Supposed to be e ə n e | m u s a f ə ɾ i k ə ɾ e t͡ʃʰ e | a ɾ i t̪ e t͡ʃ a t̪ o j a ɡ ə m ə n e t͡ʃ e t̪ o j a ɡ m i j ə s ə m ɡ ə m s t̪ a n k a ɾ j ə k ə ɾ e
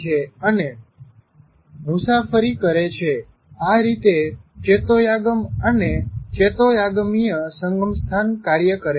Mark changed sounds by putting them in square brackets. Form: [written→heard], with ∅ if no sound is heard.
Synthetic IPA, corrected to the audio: e ə n e | m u s a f ə ɾ i k ə ɾ e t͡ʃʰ e | a ɾ i t̪ e t͡ʃ [a→e] t̪ o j a ɡ ə m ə n e t͡ʃ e t̪ o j a ɡ m i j ə s ə [m→ŋ] ɡ ə m s [t̪→t̪ʰ] a n k a ɾ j ə k ə ɾ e